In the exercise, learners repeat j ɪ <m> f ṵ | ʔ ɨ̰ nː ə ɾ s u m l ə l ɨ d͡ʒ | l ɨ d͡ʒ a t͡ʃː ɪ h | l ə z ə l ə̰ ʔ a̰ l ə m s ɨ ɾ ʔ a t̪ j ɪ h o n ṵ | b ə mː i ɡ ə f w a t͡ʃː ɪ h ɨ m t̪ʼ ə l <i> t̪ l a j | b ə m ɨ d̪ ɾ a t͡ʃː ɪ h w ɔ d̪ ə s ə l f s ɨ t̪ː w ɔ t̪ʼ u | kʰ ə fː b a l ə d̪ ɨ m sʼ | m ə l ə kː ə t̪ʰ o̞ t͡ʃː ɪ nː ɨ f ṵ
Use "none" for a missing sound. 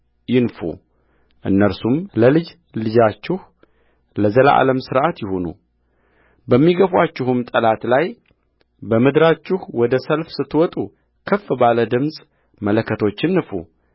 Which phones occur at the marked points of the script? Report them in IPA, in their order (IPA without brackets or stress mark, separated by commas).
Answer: n, a